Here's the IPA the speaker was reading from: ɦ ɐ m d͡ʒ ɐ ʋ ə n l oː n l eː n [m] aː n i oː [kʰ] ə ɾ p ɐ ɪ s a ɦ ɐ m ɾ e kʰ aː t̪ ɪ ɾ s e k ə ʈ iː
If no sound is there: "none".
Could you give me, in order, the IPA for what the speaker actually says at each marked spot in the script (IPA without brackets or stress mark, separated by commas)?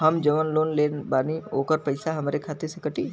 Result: b, k